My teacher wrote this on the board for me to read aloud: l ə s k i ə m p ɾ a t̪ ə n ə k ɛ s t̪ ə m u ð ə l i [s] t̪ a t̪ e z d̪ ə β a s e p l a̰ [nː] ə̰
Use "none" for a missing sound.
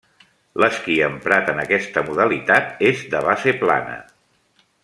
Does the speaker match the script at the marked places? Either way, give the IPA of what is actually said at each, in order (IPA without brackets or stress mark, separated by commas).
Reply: none, n